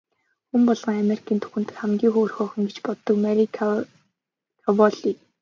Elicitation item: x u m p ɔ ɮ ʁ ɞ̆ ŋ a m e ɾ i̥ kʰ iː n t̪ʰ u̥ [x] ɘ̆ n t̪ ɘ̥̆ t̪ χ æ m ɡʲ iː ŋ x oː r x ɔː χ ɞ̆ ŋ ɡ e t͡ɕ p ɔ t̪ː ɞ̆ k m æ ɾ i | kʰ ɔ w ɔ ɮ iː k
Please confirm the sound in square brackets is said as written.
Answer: yes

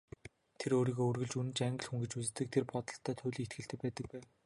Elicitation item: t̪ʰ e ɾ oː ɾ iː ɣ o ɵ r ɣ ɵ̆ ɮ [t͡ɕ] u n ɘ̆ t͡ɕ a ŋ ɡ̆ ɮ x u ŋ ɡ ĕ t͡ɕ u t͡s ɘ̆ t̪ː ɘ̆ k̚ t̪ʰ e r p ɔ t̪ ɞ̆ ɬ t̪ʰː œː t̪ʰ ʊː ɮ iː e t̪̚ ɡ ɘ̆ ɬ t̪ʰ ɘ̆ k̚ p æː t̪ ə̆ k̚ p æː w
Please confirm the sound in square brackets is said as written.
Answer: yes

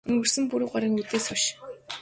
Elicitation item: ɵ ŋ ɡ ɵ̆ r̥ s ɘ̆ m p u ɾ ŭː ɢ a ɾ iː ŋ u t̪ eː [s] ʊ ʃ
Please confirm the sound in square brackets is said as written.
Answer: yes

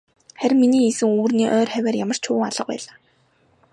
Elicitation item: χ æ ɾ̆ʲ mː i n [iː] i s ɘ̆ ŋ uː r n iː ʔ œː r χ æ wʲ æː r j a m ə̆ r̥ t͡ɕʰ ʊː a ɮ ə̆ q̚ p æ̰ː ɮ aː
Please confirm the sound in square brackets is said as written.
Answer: yes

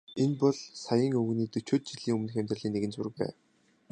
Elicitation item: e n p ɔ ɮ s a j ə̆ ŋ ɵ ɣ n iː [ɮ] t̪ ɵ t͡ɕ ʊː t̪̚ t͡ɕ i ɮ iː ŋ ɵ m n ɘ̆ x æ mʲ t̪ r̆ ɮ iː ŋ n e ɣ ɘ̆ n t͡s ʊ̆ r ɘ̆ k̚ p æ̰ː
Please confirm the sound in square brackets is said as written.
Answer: no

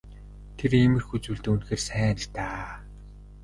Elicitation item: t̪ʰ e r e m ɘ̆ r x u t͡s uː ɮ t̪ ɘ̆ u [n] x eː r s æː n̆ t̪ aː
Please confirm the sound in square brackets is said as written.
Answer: yes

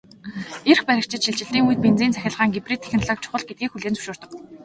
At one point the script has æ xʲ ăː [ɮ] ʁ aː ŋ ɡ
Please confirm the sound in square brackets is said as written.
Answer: yes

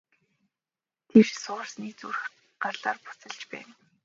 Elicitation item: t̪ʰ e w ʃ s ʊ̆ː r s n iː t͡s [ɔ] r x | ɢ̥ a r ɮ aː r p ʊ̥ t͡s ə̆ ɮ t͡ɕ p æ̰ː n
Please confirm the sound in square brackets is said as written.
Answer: no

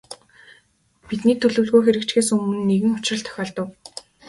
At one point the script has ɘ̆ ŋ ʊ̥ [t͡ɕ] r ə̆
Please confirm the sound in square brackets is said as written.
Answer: yes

